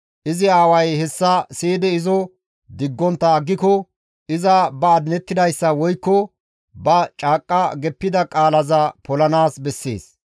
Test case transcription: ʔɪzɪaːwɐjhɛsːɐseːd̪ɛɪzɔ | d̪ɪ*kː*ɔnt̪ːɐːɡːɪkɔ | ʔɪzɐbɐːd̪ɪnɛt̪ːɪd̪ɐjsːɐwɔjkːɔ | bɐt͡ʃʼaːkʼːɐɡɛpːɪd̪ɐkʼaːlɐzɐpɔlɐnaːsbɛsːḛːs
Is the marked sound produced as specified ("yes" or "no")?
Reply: no